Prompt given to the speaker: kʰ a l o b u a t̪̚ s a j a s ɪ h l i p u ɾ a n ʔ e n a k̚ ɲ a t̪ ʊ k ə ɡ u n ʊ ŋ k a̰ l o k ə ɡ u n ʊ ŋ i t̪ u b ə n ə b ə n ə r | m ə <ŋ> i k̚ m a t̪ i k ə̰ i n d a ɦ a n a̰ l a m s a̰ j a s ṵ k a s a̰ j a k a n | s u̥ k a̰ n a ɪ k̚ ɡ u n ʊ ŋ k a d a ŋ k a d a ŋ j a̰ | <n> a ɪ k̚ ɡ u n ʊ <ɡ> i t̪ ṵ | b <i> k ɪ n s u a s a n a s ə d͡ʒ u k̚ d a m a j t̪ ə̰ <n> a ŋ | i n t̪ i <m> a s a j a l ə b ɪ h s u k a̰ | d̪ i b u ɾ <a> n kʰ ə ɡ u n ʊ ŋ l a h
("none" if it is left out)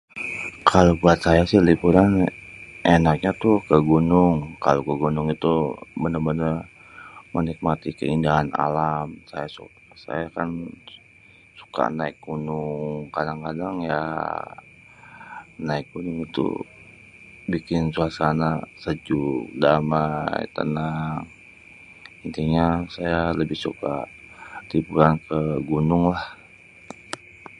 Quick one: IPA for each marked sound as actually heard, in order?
n, n, ŋ, i, n, ɲ, a

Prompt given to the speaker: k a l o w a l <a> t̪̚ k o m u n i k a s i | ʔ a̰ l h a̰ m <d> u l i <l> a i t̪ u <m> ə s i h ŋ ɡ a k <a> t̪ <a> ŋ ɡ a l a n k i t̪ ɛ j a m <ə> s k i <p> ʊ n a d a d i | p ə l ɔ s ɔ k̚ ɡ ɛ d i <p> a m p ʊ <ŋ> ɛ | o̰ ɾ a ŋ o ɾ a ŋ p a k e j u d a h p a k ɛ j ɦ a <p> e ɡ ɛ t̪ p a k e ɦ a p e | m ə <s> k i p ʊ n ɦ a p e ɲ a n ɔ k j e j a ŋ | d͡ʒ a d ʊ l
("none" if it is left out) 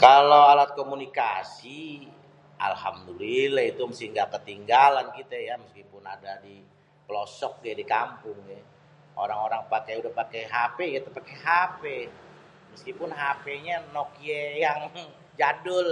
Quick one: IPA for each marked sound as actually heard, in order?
a, d, l, m, ə, i, ə, p, k, ŋ, p, s

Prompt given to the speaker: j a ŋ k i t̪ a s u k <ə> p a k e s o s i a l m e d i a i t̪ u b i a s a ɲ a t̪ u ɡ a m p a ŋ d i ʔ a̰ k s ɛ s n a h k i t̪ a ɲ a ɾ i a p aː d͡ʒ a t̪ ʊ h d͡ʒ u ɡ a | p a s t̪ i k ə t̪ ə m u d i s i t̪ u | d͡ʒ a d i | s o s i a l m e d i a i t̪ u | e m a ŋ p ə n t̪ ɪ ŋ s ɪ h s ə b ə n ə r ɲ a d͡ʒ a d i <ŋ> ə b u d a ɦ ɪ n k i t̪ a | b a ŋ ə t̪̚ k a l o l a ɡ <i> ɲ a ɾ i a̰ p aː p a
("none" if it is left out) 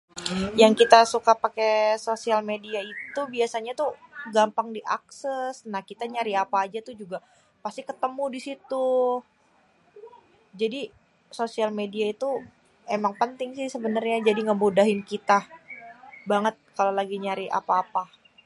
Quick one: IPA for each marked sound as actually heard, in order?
a, ŋ, i

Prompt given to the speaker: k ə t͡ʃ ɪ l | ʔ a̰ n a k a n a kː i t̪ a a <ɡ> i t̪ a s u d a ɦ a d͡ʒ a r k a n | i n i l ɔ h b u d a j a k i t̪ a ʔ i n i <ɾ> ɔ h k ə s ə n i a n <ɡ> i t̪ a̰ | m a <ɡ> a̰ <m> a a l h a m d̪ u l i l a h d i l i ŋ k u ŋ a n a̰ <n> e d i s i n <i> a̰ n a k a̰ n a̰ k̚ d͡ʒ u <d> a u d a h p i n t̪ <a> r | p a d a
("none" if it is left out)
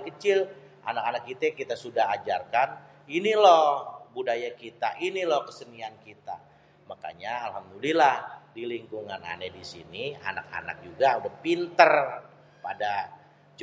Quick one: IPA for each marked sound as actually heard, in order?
k, l, k, k, ɲ, n, i, ɡ, ə

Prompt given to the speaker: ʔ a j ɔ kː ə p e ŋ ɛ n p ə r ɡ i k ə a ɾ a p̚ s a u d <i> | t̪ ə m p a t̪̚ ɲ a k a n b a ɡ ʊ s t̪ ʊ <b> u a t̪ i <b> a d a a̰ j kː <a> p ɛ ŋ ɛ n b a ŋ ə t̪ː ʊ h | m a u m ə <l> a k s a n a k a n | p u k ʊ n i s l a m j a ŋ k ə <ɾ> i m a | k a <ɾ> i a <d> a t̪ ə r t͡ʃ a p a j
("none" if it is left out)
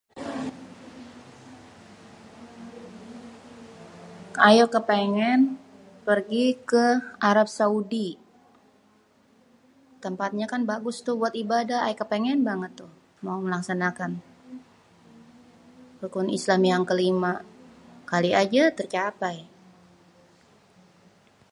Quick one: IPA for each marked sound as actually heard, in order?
i, b, b, ə, l, l, l, d͡ʒ

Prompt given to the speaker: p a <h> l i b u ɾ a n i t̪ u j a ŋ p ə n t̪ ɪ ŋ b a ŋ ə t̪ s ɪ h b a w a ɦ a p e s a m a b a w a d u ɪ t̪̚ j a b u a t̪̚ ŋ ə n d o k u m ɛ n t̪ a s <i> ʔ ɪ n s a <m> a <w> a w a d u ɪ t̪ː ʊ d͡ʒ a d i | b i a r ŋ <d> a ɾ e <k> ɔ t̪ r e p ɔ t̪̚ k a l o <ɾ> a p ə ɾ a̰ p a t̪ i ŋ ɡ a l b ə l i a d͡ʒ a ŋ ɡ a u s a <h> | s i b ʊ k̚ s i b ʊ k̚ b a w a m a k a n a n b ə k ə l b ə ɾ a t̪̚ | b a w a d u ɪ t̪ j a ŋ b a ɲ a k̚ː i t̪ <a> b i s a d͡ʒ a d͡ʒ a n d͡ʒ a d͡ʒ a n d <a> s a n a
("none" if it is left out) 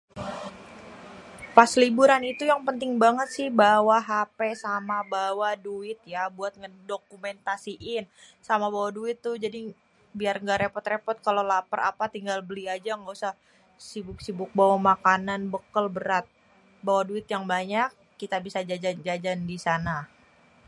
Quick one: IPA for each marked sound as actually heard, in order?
s, i, m, b, ɡ, p, l, h, a, i

